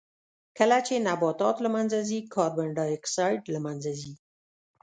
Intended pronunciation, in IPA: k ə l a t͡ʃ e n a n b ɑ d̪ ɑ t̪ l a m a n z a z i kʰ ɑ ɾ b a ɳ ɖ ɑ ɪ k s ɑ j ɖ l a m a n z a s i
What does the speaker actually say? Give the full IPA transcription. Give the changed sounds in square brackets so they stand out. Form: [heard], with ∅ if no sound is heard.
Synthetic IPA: k ə l a t͡ʃ e n a [∅] b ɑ [t̪] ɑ t̪ l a m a n z a z i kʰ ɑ ɾ b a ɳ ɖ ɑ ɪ k s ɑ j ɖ l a m a n z a [z] i